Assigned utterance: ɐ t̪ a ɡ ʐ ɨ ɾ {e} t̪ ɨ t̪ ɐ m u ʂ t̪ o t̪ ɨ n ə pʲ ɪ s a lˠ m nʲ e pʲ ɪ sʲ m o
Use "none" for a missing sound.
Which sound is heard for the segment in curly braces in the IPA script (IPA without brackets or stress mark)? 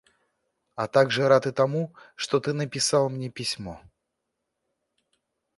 a